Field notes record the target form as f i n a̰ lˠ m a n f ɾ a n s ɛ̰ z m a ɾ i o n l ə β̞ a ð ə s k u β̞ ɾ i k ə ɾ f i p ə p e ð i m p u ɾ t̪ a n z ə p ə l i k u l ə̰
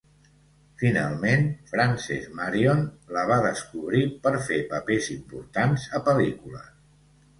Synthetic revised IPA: f i n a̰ lˠ m e n f ɾ a n s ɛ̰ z m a ɾ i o n l ə β̞ a ð ə s k u β̞ ɾ i p ə ɾ f e p ə p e z i m p u ɾ t̪ a n z ə p ə l i k u l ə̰